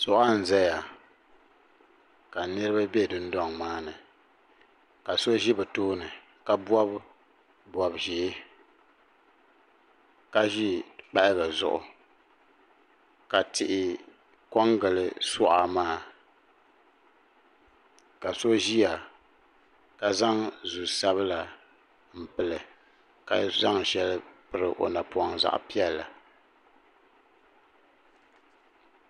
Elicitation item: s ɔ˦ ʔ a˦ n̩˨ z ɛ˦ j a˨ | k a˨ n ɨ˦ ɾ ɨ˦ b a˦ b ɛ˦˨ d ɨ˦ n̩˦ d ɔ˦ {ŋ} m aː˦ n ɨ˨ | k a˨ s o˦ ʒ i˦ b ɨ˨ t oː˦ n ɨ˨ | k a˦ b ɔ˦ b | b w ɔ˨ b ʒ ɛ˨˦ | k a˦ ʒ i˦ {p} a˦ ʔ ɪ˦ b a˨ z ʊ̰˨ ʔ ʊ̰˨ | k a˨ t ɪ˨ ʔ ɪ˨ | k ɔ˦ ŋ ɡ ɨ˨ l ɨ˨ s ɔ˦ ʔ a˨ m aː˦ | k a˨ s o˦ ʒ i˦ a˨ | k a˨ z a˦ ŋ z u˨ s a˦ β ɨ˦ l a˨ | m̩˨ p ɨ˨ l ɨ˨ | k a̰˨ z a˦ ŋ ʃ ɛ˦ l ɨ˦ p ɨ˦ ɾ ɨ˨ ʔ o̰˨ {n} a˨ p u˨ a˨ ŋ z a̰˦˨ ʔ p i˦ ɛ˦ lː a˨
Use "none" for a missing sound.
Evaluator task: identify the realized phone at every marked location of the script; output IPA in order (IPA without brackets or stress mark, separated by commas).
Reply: ŋ, k͡p, n